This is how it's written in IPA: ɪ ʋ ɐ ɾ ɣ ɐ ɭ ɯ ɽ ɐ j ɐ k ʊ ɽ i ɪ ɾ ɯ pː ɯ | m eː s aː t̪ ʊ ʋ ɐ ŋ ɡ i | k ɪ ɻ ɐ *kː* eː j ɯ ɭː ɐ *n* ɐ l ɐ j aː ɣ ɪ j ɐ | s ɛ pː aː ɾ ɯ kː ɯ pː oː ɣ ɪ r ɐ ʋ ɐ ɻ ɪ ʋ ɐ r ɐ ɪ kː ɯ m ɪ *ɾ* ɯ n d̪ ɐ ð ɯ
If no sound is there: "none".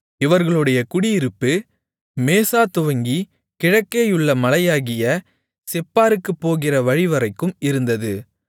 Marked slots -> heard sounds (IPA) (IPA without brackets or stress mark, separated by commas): kː, m, ɾ